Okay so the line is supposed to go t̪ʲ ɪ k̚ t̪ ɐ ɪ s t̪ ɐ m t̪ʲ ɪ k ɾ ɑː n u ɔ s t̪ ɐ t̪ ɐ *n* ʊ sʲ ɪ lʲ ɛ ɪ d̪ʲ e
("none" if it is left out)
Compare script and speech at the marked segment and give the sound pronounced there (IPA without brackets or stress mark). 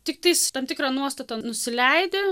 n